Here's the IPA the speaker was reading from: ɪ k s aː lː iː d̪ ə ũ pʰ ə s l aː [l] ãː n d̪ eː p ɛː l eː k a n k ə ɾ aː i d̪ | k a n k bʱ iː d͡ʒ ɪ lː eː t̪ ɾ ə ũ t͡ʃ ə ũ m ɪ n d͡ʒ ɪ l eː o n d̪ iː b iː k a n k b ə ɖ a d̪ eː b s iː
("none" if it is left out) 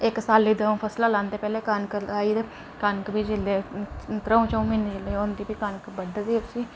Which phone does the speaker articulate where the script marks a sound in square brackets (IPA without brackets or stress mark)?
l